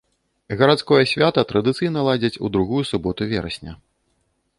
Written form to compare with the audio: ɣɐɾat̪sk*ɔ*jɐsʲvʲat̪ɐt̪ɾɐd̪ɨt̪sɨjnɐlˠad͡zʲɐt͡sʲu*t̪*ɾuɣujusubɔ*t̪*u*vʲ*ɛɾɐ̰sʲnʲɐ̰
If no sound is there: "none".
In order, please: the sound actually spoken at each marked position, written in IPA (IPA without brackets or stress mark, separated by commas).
ɔ, d̪, t̪, vʲ